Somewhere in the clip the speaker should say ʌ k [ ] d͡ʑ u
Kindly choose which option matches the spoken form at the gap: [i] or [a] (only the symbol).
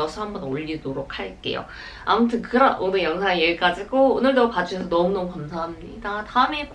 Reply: a